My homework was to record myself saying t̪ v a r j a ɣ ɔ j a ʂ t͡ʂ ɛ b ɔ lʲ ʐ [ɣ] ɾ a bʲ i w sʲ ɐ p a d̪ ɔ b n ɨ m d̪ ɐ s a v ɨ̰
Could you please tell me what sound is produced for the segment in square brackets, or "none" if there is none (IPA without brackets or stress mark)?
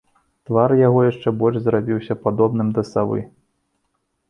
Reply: z